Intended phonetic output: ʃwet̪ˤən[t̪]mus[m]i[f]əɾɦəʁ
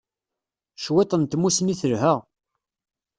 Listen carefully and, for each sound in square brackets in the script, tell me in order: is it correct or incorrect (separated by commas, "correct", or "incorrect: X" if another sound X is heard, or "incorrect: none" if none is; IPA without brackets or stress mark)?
correct, incorrect: n, incorrect: θ